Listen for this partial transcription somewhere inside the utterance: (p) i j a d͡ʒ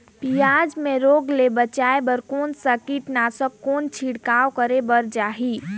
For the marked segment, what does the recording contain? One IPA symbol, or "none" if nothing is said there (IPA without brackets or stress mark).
p